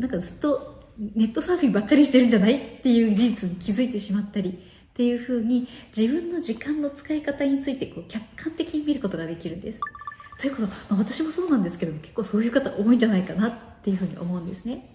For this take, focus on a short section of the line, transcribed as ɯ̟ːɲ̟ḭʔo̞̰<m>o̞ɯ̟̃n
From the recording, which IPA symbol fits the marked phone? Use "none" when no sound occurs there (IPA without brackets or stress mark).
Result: m